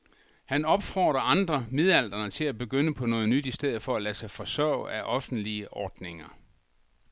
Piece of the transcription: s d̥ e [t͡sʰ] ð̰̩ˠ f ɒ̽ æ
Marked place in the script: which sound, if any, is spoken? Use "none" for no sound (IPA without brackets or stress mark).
none